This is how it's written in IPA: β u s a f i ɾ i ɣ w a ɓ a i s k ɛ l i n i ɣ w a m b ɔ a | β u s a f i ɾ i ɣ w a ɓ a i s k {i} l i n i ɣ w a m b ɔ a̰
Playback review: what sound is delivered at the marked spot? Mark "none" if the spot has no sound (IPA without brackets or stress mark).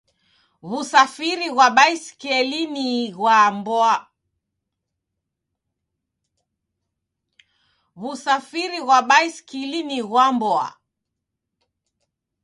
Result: i